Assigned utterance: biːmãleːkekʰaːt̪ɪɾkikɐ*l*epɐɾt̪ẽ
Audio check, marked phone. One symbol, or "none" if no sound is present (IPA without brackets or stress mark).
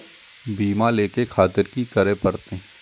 ɾ